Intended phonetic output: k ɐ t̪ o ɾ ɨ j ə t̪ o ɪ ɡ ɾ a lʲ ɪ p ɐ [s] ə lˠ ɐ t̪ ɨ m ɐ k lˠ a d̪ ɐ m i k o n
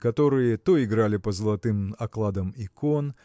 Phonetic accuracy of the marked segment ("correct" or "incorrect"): incorrect